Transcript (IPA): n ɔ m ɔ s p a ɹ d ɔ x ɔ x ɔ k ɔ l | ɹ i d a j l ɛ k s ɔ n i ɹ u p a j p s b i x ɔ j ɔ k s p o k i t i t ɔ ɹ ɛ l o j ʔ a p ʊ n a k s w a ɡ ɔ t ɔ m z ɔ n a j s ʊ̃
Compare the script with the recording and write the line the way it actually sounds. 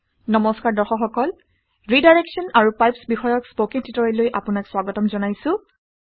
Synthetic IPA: n ɔ m ɔ s k a ɹ d ɔ x ɔ x ɔ k ɔ l | ɹ i d a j ɹ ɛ k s ɔ n a ɹ u p a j p s b i x ɔ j ɔ k s p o k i t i t ɔ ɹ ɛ l o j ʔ a p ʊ n a k s w a ɡ ɔ t ɔ m z ɔ n a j s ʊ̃